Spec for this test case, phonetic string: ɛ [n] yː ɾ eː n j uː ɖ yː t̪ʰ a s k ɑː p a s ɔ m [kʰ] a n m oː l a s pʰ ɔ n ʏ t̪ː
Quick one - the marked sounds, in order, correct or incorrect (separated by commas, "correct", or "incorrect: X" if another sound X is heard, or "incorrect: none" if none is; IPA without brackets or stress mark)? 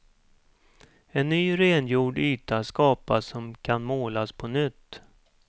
incorrect: nː, correct